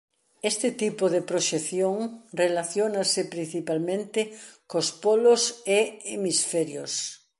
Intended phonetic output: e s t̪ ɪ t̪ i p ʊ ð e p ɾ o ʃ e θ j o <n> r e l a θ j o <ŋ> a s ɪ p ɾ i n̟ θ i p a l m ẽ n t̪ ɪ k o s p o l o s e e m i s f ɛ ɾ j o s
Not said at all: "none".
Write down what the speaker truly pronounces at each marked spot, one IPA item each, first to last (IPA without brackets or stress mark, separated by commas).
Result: ŋ, n